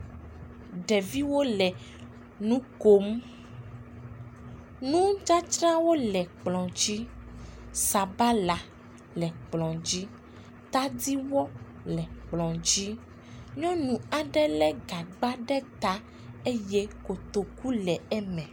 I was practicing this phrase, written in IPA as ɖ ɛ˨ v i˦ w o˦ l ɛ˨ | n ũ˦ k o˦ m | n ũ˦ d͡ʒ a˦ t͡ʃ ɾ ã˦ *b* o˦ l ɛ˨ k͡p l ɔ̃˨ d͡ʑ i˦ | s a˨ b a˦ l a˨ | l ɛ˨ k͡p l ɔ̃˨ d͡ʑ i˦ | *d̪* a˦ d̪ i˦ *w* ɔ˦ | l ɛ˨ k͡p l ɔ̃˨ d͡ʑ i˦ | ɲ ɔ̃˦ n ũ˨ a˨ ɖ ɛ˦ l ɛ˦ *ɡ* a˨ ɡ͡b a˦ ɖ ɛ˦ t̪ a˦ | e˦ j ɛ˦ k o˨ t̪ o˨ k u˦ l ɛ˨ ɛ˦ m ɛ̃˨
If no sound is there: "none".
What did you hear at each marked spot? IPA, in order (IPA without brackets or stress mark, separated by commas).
w, t̪, w, ɡ